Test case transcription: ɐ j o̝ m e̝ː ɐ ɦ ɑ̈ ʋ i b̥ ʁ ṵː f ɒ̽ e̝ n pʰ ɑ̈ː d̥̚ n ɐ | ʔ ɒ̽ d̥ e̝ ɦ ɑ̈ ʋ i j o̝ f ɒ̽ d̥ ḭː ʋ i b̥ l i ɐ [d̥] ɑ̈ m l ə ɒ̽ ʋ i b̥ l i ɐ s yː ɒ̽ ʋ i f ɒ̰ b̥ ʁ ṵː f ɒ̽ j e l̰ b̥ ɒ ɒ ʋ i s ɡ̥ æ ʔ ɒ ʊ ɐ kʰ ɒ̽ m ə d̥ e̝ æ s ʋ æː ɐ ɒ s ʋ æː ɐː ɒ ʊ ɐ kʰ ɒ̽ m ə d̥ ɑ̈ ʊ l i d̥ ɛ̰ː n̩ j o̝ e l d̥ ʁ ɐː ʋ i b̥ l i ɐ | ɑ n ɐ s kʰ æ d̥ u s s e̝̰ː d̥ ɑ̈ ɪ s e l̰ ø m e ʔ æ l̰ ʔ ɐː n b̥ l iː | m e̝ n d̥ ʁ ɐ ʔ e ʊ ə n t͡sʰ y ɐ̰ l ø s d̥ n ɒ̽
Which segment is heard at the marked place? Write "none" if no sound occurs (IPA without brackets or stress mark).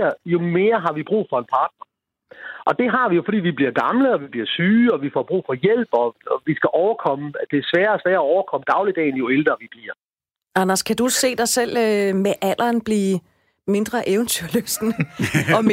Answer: ɡ̥